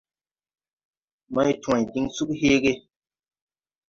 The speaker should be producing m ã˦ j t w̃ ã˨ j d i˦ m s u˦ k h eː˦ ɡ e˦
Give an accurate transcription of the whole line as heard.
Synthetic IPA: m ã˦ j t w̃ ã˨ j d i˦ ŋ s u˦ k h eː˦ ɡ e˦